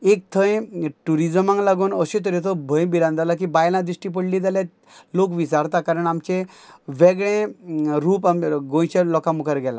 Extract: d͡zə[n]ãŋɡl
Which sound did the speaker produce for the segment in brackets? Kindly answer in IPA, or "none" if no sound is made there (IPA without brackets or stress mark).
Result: m